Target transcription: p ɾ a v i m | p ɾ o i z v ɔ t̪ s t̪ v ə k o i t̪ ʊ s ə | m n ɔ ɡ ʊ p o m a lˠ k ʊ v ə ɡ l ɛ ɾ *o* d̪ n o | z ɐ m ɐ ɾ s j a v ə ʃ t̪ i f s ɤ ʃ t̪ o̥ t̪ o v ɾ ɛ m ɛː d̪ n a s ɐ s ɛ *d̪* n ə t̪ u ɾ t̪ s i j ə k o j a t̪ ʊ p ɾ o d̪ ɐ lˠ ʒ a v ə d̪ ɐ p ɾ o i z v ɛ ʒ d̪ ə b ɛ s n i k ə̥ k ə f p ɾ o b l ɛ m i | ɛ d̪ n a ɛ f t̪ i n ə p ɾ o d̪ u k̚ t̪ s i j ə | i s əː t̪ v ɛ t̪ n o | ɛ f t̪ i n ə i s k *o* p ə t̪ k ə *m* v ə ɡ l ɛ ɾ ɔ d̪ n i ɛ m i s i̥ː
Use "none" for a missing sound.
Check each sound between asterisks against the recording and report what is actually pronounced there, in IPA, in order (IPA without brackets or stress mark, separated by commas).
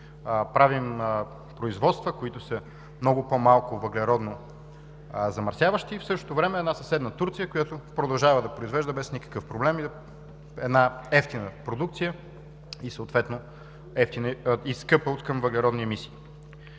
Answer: ɔ, d̪, ɤ, m